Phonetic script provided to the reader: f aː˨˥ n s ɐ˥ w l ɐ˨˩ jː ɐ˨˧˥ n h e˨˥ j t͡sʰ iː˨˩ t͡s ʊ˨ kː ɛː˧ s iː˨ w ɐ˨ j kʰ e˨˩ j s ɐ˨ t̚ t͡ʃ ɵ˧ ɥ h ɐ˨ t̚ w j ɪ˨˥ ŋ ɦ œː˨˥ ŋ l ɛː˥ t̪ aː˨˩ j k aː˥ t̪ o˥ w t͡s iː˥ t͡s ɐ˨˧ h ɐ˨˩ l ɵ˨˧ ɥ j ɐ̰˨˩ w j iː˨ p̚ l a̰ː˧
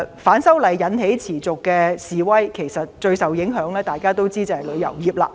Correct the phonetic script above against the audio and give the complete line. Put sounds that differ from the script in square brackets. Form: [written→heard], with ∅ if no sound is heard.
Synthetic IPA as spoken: f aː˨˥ n s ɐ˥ w l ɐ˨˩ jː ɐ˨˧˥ n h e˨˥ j t͡sʰ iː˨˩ t͡s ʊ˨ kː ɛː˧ s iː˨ w [ɐ˨→ɐ˥] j kʰ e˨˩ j s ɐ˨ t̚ t͡ʃ ɵ˧ ɥ [h→s] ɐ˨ [t̚→∅] w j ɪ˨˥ ŋ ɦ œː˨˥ ŋ l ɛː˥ t̪ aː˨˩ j k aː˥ t̪ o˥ w t͡s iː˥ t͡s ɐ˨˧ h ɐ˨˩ l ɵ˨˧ ɥ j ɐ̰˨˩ w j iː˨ p̚ l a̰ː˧